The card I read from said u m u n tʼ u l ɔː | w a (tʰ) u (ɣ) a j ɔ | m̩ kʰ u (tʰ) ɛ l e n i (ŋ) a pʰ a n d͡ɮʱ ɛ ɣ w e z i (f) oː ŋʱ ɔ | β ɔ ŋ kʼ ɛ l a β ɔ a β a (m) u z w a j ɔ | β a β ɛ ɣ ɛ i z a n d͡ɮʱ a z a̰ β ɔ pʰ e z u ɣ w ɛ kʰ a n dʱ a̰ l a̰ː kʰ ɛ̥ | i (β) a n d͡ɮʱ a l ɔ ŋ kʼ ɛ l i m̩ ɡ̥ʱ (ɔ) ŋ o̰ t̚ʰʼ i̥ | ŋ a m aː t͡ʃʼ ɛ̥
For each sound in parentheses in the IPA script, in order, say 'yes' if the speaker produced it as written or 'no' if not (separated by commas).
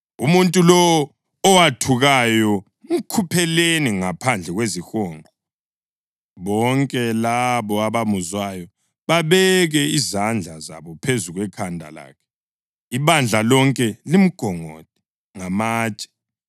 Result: yes, yes, no, yes, no, yes, yes, yes